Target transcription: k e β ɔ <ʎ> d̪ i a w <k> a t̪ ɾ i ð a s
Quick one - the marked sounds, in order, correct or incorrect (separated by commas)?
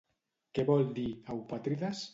incorrect, incorrect